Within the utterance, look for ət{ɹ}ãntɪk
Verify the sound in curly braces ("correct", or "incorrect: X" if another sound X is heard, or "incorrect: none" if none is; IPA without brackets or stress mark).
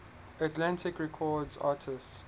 incorrect: l